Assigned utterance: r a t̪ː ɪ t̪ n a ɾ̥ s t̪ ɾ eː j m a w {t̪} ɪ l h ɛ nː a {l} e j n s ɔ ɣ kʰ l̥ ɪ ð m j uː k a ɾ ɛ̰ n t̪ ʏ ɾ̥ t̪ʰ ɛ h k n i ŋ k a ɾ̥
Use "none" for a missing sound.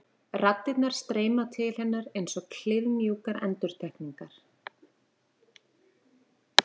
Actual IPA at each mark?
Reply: t̪ʰ, ɾ

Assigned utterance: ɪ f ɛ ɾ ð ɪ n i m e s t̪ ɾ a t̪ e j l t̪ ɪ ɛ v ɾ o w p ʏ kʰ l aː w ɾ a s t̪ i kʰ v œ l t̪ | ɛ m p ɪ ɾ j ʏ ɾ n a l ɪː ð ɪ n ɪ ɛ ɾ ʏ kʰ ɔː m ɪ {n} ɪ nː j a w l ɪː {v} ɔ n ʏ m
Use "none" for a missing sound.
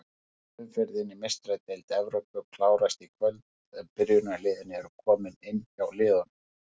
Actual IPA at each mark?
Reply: n, ð

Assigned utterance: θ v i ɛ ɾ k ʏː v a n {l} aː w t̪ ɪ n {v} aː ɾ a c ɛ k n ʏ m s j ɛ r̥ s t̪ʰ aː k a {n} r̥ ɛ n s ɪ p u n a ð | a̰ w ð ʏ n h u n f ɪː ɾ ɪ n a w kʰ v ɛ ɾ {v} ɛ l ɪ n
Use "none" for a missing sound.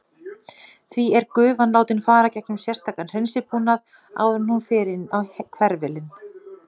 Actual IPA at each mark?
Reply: l, f, n, v

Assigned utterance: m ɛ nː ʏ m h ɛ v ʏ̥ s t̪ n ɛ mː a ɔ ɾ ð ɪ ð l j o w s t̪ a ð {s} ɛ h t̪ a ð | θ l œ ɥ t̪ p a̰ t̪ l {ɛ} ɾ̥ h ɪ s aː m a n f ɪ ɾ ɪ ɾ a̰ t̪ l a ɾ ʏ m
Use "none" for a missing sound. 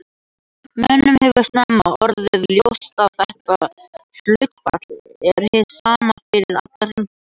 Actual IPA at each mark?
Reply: θ, ɛ

